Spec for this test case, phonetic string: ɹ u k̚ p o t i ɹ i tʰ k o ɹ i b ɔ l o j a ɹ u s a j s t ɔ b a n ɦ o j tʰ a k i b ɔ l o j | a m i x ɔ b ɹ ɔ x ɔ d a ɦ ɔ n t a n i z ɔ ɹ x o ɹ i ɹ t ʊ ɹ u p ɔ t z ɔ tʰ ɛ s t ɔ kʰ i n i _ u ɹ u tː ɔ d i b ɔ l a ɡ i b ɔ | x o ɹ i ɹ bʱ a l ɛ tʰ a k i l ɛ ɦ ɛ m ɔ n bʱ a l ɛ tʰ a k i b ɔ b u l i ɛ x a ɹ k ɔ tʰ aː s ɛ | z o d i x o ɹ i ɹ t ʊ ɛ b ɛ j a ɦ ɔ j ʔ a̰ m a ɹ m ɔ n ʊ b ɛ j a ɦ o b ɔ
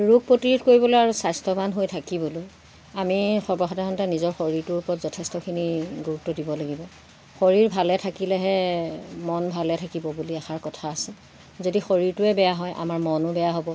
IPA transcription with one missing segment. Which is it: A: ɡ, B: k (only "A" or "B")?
A